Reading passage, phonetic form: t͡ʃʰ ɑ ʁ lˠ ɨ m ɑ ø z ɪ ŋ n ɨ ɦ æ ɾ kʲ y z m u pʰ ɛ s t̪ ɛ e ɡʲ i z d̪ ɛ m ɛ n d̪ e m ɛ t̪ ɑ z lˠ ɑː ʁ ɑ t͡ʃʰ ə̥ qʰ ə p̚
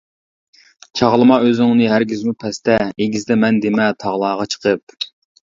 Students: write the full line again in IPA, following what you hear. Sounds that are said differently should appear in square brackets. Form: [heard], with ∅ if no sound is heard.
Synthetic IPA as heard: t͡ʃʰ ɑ ʁ lˠ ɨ m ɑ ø z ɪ ŋ n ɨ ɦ æ ɾ [ɡʲ] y z m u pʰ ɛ s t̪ ɛ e ɡʲ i z d̪ ɛ m ɛ n d̪ e m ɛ [t̪ʰ] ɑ [ʁ] lˠ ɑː ʁ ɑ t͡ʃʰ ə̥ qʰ ə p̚